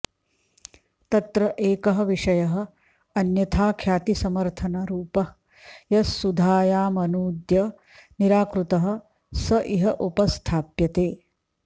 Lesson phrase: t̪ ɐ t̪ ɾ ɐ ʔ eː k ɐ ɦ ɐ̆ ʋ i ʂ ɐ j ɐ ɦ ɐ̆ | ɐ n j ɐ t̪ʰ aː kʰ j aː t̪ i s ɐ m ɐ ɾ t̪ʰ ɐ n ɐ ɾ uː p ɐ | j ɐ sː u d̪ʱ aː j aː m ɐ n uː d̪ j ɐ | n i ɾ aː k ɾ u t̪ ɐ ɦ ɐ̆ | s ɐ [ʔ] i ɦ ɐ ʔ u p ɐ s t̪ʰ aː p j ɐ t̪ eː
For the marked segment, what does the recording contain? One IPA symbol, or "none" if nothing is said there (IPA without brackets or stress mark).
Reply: ʔ